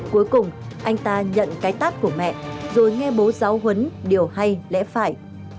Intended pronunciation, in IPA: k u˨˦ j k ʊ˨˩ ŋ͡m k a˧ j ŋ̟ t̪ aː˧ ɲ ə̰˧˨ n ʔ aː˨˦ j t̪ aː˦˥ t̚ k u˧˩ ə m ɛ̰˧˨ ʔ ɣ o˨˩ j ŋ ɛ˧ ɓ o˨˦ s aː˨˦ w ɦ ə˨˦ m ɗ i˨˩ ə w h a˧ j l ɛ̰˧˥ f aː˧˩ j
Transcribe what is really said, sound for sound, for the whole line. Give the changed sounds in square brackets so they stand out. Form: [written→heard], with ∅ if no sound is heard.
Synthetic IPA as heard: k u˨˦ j k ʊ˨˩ ŋ͡m [k→ʔ] a˧ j ŋ̟ t̪ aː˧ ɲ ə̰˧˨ n [ʔ→k] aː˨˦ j t̪ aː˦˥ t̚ k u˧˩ ə m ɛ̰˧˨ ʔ [ɣ→z] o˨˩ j ŋ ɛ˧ ɓ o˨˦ [s→z] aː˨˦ w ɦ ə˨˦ [m→n] ɗ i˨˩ ə w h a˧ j l ɛ̰˧˥ f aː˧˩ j